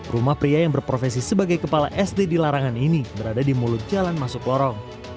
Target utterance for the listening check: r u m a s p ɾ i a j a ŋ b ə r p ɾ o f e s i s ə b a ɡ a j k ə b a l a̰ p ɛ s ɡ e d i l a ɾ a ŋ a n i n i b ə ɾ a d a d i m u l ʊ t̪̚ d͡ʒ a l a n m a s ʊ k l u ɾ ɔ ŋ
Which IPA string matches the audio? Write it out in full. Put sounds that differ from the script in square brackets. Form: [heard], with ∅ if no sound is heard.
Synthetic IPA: r u m a [h] p ɾ i a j a ŋ b ə r p ɾ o f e s i s ə b a ɡ a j k ə [p] a l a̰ [ʔ] ɛ s [d] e d i l a ɾ a ŋ a n i n i b ə ɾ a d a d i m u l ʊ t̪̚ d͡ʒ a l a n m a s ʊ k l [ɔ] ɾ ɔ ŋ